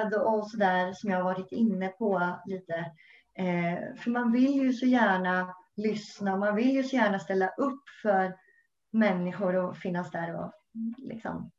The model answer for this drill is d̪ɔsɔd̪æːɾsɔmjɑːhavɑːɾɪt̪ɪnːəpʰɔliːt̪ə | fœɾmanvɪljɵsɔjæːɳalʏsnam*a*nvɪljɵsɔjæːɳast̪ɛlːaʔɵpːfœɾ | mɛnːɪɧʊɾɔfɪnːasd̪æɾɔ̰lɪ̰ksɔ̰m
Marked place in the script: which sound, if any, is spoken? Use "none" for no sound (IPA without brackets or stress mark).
a